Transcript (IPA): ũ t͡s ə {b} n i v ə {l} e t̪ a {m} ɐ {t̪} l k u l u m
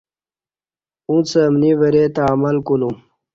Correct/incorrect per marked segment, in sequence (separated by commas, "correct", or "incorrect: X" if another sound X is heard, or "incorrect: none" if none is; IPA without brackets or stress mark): incorrect: m, incorrect: ɾ, correct, incorrect: none